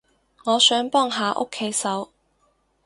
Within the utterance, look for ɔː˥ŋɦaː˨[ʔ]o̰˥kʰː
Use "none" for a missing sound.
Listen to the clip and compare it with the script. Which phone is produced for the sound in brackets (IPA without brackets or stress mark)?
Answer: ʔ